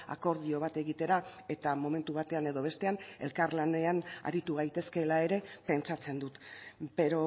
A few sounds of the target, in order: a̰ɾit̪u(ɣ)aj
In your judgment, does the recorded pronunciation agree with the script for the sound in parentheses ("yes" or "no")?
yes